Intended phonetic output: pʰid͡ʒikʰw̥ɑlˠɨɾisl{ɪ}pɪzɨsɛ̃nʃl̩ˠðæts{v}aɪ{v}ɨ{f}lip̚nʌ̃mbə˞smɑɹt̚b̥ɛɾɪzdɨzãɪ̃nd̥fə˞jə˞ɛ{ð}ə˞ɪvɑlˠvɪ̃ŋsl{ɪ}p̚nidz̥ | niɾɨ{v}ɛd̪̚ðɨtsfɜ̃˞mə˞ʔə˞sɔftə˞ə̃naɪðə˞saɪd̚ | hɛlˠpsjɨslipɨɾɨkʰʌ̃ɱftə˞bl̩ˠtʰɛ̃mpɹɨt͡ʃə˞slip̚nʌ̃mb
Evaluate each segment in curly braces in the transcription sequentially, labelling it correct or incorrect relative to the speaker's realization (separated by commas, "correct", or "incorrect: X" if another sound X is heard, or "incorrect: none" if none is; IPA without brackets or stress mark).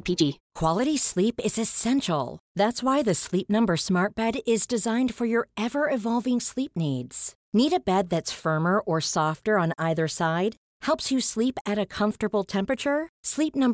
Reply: incorrect: i, incorrect: w, incorrect: ð, incorrect: s, incorrect: v, incorrect: i, incorrect: b